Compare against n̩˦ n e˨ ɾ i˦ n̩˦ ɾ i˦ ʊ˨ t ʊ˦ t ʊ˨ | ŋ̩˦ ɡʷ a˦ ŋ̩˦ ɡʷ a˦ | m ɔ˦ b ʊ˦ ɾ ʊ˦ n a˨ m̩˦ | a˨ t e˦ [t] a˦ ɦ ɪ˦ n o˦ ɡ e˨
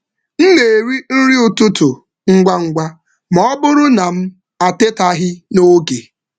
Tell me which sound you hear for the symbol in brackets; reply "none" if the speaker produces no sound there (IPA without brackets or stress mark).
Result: t